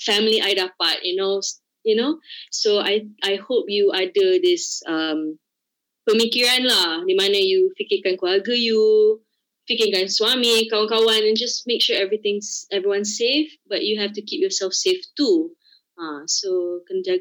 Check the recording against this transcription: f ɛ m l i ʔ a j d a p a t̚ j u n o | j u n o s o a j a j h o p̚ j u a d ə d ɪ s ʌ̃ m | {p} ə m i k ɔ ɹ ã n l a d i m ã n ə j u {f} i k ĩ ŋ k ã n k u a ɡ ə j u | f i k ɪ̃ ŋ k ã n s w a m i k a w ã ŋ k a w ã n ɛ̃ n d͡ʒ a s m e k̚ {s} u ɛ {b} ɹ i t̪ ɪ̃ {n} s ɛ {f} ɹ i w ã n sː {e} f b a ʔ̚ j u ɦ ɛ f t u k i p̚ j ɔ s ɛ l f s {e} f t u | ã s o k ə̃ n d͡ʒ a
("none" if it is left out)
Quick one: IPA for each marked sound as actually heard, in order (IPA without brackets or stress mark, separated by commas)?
p, f, ʃ, v, ŋ, v, e, e